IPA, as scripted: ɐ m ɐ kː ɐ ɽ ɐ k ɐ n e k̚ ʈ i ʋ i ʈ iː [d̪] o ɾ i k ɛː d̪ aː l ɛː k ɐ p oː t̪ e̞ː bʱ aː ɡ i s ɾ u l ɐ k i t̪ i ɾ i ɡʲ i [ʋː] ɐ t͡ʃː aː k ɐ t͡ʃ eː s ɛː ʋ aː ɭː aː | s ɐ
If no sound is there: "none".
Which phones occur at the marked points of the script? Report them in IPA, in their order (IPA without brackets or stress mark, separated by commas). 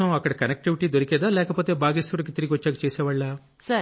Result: d̪, ʋ